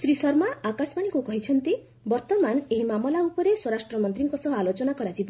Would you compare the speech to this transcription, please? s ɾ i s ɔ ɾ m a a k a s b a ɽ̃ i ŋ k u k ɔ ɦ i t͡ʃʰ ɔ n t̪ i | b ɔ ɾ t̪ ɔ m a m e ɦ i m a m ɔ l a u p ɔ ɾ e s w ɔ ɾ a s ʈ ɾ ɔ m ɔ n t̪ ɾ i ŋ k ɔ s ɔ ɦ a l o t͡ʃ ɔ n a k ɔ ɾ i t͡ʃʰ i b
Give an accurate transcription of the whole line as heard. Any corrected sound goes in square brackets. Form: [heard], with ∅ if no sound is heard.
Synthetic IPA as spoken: s ɾ i s ɔ ɾ m a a k a s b a ɽ̃ i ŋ k u k ɔ ɦ i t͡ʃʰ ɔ n t̪ i | b ɔ ɾ t̪ ɔ m a [n] e ɦ i m a m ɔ l a u p ɔ ɾ e s w ɔ ɾ a s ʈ ɾ ɔ m ɔ n t̪ ɾ i ŋ k ɔ s ɔ ɦ a l o t͡ʃ ɔ n a k ɔ ɾ [a] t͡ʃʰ i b